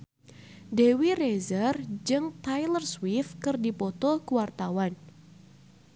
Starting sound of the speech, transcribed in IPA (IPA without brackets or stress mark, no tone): d